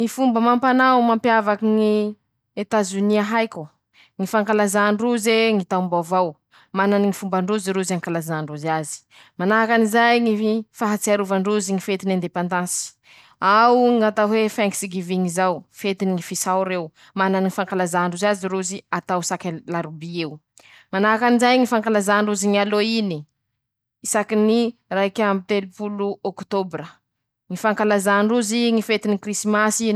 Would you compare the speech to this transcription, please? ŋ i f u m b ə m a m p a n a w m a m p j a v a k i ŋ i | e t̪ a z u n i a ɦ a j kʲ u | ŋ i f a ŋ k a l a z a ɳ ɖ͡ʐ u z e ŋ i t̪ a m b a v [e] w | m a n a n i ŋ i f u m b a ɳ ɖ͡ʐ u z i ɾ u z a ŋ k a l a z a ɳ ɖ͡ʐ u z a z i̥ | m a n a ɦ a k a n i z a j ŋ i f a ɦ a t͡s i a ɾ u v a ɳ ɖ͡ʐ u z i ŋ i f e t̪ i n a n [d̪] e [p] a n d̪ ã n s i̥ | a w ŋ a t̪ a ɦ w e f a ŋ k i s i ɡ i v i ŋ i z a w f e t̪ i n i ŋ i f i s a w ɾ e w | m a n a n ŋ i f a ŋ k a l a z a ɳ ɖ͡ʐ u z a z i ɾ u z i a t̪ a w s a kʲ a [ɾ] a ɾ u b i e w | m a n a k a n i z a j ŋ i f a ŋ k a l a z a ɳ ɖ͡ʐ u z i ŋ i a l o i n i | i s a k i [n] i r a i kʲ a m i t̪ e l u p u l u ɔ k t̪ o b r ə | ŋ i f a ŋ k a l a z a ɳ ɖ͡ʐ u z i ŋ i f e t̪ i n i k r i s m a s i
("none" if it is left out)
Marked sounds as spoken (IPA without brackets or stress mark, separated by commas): a, d̪, p, l, n